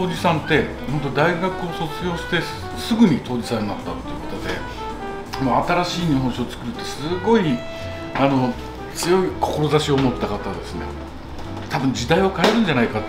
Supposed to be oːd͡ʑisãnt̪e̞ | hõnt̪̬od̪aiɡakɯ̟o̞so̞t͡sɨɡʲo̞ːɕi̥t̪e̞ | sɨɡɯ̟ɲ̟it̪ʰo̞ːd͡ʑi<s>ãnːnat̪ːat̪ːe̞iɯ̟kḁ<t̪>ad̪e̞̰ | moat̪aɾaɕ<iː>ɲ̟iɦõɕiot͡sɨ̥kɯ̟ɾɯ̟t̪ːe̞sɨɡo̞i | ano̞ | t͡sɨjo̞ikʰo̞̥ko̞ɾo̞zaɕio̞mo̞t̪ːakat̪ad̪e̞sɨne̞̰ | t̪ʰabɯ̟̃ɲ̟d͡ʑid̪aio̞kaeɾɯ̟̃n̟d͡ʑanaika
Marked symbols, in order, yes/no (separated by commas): yes, yes, yes